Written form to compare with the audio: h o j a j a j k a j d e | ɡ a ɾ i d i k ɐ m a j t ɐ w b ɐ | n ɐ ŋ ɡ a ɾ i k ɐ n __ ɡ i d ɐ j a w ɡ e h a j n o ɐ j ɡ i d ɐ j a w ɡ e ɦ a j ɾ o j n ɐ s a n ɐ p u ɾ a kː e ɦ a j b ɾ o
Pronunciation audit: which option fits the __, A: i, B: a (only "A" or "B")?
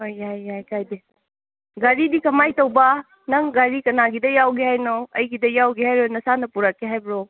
B